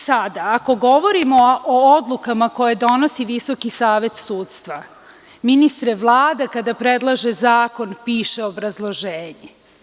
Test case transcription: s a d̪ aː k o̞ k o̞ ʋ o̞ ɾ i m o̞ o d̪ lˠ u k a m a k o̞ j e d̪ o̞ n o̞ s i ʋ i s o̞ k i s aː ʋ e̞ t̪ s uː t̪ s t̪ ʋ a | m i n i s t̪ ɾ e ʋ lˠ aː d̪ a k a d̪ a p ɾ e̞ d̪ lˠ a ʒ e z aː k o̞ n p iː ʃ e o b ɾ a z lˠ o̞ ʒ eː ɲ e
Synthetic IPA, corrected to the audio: s a d̪ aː k o̞ ɡ o̞ ʋ o̞ ɾ i m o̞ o d̪ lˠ u k a m a k o̞ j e d̪ o̞ n o̞ s i ʋ i s o̞ k i s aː ʋ e̞ t̪ s uː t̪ s t̪ ʋ a | m i n i s t̪ ɾ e ʋ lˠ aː d̪ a k a d̪ a p ɾ e̞ d̪ lˠ a ʒ e z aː k o̞ n p iː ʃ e o b ɾ a z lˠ o̞ ʒ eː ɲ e